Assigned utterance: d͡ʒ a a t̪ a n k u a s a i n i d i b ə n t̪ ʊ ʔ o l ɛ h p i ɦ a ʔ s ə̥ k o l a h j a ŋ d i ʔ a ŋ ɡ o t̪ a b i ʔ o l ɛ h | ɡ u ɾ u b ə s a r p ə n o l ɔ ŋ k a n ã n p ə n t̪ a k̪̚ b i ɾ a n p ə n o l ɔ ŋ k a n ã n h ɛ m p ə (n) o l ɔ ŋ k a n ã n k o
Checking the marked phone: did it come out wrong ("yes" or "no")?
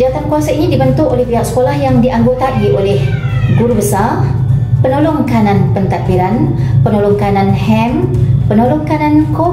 no